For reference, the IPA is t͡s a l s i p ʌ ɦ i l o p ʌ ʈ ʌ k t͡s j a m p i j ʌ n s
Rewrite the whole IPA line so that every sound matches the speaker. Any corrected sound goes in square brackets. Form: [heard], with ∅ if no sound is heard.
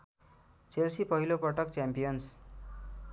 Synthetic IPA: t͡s [e] l s i p ʌ ɦ i l o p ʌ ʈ ʌ k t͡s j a m p i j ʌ n s